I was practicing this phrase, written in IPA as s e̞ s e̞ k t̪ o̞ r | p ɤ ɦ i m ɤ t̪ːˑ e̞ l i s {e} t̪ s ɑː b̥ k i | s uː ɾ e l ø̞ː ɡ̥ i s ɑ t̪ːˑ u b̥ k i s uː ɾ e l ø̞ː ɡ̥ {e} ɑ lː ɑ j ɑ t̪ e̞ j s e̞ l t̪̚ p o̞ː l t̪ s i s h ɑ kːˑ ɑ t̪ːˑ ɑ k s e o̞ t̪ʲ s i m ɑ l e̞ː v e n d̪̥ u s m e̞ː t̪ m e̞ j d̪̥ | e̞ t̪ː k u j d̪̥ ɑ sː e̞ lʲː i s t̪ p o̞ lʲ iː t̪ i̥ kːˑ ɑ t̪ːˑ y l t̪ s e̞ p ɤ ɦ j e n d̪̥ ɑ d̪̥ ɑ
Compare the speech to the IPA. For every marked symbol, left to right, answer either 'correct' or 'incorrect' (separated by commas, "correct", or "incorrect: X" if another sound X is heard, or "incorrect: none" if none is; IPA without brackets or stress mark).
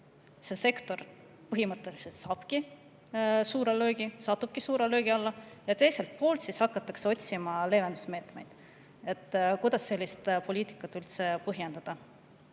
correct, incorrect: i